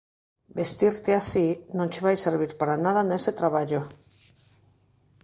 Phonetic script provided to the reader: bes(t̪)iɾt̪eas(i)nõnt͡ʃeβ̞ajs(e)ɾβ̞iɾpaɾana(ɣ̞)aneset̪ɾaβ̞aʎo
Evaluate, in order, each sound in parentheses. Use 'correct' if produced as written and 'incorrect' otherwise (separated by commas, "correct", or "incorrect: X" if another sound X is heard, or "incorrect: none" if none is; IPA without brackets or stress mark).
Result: correct, correct, correct, incorrect: ð̞